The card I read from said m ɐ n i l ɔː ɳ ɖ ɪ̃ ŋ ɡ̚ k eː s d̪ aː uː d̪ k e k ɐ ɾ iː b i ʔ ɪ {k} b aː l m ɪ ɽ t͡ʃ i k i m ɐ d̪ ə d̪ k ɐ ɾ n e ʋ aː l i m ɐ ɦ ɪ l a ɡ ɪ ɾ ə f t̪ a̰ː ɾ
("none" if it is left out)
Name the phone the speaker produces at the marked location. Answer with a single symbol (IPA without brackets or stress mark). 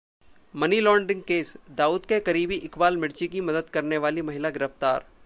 k